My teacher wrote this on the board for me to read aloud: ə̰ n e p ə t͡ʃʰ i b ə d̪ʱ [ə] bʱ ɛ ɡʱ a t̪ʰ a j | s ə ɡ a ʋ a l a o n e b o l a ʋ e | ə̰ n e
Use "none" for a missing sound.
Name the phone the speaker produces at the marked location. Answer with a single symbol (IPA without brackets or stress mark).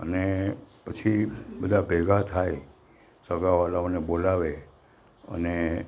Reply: a